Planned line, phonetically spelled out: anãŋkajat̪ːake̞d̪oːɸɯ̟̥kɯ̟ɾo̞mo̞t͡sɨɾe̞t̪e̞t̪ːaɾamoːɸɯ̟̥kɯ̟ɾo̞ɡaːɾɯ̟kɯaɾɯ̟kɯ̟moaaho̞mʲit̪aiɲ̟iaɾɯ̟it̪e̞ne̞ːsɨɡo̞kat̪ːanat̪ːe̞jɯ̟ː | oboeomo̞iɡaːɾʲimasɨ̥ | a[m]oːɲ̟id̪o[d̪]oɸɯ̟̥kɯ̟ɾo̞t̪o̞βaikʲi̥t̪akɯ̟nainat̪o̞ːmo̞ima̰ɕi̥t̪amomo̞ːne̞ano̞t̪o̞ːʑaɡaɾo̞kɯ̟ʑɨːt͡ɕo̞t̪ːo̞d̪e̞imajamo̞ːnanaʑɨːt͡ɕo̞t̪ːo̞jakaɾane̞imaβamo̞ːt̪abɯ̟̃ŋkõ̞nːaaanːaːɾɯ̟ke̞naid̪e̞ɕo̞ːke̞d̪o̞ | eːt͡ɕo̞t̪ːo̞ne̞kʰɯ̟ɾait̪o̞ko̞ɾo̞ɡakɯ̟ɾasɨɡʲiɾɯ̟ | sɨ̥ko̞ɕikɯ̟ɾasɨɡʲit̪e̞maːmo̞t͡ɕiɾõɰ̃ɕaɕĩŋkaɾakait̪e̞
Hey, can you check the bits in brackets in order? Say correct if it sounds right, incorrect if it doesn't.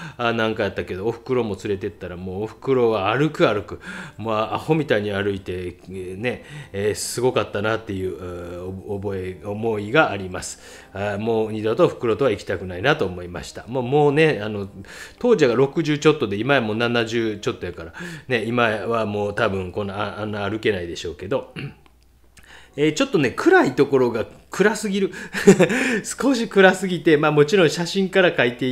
correct, incorrect: t̪

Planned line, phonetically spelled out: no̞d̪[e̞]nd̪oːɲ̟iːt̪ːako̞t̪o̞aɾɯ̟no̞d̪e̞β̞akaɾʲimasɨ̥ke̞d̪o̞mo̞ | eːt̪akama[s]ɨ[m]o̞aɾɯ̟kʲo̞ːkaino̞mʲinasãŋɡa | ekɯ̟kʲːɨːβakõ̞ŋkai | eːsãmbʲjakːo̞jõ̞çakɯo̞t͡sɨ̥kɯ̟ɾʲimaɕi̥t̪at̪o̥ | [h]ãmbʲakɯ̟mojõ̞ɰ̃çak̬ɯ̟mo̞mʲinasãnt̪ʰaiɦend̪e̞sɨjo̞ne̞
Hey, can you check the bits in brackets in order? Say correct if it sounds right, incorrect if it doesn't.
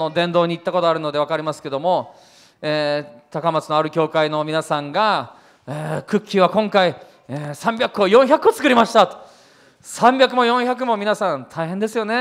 incorrect: ẽ̞, incorrect: t͡s, incorrect: n, incorrect: s

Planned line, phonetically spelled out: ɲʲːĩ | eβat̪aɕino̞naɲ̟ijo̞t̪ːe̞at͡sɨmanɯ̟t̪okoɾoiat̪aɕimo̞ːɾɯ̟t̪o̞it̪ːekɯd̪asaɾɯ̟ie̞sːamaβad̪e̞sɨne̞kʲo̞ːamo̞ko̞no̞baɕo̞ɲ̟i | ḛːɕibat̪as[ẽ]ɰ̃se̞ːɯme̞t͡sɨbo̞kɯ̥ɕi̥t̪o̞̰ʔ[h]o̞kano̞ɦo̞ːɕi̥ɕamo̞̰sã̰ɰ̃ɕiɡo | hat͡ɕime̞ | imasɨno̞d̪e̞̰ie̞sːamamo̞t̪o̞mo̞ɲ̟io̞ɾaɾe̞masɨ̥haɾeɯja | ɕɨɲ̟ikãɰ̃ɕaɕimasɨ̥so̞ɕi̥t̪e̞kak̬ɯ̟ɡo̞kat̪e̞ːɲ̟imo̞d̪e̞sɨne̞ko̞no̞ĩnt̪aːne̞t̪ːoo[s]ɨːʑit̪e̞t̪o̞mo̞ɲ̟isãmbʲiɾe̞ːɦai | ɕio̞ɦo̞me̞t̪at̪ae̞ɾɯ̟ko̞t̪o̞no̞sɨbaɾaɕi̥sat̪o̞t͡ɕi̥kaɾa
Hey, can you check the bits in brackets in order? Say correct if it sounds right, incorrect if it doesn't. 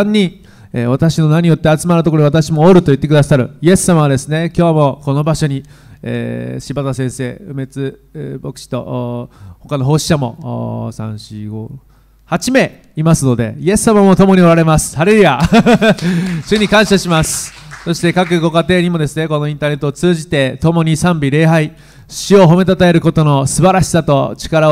correct, correct, incorrect: t͡s

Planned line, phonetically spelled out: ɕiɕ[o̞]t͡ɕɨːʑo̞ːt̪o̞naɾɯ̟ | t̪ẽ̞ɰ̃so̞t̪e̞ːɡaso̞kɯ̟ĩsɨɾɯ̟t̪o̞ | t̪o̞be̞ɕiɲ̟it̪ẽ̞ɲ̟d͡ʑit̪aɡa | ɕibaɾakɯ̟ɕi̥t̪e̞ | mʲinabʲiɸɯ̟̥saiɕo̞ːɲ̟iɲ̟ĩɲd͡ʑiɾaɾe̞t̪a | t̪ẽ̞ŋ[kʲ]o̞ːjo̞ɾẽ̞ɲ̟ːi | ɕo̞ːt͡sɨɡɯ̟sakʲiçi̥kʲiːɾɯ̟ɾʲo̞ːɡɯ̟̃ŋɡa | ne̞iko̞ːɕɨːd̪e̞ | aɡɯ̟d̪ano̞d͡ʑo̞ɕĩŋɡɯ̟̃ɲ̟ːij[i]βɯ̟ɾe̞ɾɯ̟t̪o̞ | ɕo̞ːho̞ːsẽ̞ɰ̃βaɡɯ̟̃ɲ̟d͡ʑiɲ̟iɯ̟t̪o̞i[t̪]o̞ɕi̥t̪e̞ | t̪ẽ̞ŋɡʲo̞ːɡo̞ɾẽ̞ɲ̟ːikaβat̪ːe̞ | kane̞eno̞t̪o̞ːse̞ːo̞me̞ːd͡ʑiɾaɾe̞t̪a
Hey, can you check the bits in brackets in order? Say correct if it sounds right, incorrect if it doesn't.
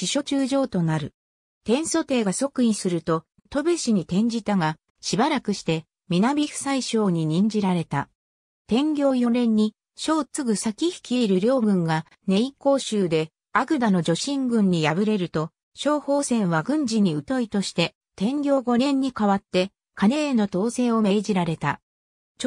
correct, incorrect: ɡʲ, incorrect: a, correct

